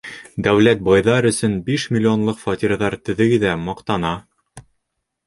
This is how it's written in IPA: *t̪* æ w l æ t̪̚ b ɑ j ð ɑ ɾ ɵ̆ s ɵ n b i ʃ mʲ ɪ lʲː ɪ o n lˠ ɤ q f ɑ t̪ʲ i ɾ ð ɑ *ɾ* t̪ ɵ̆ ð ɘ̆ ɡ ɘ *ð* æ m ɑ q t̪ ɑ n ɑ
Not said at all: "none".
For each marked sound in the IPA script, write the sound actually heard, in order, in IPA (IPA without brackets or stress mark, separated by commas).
d̪, ɾ, ð